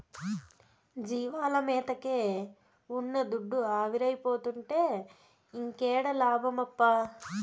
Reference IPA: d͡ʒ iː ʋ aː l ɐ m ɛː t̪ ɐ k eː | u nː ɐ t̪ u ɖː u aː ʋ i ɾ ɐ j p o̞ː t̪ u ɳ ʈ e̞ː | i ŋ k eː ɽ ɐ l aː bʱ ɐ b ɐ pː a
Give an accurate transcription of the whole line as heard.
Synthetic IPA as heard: d͡ʒ iː ʋ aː l ɐ m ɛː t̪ ɐ k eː | u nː ɐ d̪ u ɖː u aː ʋ i ɾ ɐ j p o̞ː t̪ u ɳ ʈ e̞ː | i ŋ k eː ɽ ɐ l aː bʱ ɐ m ɐ pː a